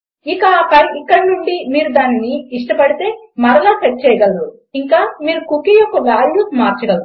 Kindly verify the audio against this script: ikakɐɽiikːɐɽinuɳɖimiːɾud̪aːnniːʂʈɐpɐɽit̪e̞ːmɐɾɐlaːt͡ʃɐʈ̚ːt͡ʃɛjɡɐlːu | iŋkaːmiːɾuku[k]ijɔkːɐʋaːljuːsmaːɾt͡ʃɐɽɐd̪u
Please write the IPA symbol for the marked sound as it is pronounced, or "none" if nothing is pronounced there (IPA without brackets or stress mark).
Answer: k